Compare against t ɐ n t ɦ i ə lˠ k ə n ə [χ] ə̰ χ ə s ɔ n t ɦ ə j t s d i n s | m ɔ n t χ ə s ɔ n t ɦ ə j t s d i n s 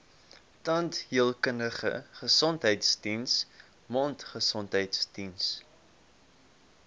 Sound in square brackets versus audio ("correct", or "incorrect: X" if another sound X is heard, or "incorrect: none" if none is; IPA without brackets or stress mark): correct